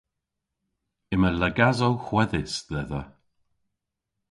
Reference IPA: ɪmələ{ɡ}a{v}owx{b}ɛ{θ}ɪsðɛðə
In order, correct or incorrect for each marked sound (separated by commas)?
correct, incorrect, incorrect, incorrect